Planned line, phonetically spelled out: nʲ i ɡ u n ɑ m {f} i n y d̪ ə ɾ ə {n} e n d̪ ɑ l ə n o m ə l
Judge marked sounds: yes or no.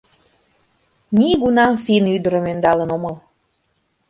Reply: yes, no

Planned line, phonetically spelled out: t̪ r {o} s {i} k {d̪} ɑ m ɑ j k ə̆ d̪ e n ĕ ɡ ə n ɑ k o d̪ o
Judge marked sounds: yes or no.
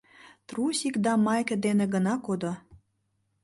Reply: no, yes, yes

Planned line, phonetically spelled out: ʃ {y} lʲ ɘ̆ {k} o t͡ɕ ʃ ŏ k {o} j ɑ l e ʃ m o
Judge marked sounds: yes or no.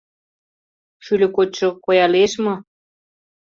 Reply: yes, yes, yes

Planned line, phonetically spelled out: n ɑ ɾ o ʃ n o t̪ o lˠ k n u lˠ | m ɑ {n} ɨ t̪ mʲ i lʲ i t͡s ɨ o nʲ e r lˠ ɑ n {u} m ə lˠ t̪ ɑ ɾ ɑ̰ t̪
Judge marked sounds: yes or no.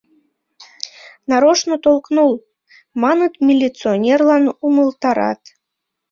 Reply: yes, yes

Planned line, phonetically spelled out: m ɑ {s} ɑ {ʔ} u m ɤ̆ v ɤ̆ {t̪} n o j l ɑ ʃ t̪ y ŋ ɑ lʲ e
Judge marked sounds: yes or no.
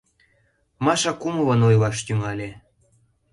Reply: no, no, no

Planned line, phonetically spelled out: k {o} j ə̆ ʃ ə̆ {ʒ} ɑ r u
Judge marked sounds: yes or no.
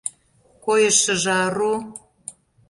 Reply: yes, yes

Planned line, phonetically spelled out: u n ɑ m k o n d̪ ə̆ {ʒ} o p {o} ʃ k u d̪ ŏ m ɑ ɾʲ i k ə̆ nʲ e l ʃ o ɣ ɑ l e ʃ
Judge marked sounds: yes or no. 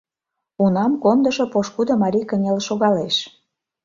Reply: no, yes

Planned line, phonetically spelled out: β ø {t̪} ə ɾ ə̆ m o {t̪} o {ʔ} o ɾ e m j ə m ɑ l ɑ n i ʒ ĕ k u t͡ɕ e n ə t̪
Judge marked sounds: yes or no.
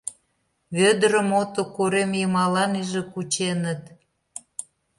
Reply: no, yes, no

